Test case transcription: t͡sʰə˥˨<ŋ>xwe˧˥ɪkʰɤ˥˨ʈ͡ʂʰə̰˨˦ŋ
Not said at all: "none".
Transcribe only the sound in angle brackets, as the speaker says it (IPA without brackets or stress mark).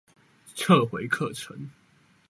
none